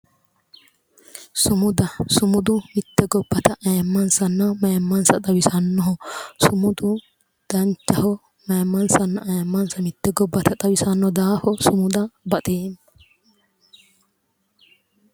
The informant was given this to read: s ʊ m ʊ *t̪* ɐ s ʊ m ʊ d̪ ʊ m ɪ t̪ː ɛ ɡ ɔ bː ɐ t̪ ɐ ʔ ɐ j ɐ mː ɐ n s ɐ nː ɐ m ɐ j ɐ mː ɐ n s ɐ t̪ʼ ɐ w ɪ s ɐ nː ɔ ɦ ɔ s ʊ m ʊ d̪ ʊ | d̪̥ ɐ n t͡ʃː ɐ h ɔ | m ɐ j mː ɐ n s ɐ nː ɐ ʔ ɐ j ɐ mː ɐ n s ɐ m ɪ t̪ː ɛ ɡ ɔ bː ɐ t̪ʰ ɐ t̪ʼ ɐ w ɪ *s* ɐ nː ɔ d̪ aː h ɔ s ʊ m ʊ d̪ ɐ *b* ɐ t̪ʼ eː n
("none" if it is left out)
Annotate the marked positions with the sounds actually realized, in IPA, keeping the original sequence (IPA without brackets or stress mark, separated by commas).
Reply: d̪, s, b